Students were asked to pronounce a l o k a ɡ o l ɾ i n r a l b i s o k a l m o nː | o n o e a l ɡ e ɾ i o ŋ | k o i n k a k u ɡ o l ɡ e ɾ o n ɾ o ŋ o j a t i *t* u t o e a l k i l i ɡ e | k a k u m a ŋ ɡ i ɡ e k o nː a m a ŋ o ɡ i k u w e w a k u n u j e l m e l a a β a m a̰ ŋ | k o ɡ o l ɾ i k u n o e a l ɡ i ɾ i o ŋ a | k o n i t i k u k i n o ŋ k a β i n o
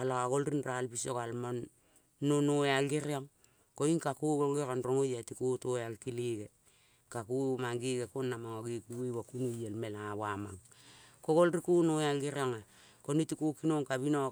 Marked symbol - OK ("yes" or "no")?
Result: no